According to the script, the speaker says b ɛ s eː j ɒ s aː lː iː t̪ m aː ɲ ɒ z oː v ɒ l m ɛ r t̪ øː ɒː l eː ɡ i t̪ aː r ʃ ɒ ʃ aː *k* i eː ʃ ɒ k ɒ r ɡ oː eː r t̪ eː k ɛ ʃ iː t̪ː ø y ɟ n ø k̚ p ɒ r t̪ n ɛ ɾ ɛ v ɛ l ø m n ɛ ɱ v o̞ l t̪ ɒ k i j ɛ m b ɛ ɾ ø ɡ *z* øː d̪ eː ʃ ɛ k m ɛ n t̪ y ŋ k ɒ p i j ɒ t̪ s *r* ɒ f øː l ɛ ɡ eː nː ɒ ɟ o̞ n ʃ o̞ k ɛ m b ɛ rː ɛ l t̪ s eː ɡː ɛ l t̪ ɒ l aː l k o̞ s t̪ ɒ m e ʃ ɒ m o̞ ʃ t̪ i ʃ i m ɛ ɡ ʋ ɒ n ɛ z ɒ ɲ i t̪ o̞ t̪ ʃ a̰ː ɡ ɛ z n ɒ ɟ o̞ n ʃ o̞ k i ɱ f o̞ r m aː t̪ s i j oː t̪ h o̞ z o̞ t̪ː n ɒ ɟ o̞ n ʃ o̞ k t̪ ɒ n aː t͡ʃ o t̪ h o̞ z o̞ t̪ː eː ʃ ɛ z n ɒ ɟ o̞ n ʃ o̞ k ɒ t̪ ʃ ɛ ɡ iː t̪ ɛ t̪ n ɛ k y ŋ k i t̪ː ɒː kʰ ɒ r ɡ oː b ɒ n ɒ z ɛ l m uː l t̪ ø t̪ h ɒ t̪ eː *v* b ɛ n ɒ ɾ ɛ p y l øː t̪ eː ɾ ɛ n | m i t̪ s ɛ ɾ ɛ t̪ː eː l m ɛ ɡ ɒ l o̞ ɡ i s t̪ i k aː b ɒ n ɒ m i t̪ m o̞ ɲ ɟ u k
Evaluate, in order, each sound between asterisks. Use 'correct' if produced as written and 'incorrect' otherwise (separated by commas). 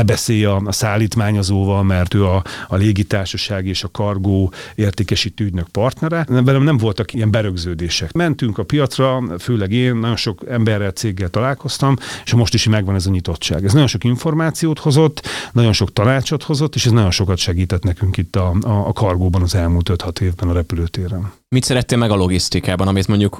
incorrect, correct, correct, correct